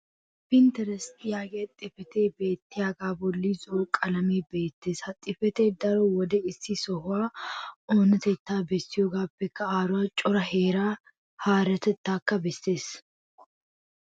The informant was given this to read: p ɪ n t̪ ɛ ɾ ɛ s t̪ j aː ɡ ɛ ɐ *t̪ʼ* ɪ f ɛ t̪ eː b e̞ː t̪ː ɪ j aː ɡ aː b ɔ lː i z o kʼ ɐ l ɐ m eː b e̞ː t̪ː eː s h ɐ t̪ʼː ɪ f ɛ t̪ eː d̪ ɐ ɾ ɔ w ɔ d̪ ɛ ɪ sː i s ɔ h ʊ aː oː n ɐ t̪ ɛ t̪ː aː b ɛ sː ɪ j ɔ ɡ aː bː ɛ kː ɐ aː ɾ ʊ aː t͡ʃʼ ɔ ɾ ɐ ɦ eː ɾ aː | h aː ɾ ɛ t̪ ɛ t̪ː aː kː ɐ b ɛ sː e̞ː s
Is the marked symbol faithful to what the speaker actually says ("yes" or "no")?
yes